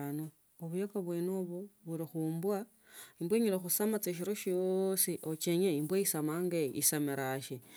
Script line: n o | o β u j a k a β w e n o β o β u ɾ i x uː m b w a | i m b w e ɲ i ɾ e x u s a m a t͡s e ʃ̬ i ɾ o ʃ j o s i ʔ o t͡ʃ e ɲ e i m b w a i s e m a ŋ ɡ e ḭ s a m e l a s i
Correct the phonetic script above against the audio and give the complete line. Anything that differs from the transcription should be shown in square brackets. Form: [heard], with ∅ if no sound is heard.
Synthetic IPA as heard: n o | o β u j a k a β w e n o β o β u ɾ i x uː m b w a | i m b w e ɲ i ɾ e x u s a m a t͡s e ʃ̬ i ɾ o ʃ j o s i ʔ o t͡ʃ e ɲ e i m b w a i s [a] m a ŋ ɡ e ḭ s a m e [ɾ] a [ʃ] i